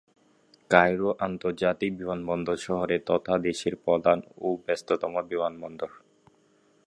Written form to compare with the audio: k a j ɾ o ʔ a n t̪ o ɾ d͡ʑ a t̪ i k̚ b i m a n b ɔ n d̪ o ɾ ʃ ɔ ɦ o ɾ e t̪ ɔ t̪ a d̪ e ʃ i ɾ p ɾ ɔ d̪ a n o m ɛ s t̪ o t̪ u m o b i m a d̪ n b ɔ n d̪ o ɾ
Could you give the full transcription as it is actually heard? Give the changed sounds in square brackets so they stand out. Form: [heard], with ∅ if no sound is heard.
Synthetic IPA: k a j ɾ o ʔ a n t̪ o ɾ d͡ʑ a t̪ i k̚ b i m a n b ɔ n d̪ o ɾ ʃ ɔ ɦ o ɾ e t̪ ɔ [t̪ʰ] a d̪ e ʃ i ɾ p ɾ ɔ d̪ a n o [b] ɛ s t̪ o t̪ [ɔ] m o b i m a [∅] n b ɔ n d̪ o ɾ